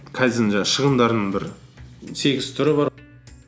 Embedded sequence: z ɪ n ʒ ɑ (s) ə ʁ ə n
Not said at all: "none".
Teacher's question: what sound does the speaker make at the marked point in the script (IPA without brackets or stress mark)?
ʃ